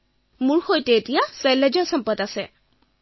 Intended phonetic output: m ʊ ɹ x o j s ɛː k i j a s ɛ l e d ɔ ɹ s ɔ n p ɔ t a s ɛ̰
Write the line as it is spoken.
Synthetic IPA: m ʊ ɹ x o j t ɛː t i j a s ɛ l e d͡ʒ ɔ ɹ s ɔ m p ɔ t a s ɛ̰